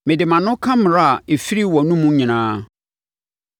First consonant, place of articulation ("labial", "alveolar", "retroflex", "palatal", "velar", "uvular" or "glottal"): labial